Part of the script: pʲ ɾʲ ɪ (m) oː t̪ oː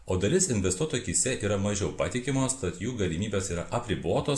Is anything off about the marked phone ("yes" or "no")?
yes